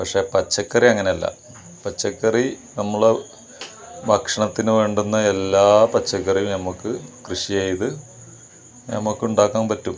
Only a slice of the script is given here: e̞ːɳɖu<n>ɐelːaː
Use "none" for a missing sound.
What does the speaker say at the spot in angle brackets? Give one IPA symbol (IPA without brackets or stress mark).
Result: nː